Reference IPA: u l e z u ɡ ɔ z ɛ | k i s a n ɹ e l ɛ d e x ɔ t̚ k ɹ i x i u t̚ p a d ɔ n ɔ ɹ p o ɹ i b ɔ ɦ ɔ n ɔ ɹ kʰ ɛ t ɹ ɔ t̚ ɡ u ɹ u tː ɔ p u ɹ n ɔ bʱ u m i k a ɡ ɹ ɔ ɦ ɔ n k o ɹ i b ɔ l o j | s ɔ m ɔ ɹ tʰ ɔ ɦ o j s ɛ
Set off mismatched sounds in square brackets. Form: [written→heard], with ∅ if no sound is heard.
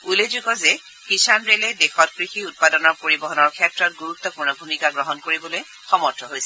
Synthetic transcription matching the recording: u l e z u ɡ ɔ z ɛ | k i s a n ɹ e l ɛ d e x ɔ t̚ k ɹ i x i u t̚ p a d ɔ n ɔ ɹ p o ɹ i b ɔ ɦ ɔ n ɔ ɹ kʰ ɛ t ɹ ɔ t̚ ɡ u ɹ u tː ɔ p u ɹ n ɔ bʱ u m i k a ɡ ɹ ɔ ɦ ɔ n k o ɹ i b ɔ l o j | [s→x] ɔ m ɔ ɹ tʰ ɔ ɦ o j s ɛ